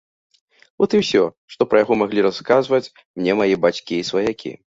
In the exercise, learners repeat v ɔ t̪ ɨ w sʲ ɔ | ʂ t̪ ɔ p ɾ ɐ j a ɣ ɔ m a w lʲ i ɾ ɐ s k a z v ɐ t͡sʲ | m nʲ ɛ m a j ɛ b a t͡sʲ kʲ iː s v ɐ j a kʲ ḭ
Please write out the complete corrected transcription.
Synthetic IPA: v ɔ t̪ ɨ w sʲ ɔ | ʂ t̪ ɔ p ɾ ɐ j a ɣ ɔ m a ɣ lʲ i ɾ a s k a z v ɐ t͡sʲ | m nʲ ɛ m a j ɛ b a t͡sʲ kʲ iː s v ɐ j a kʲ ḭ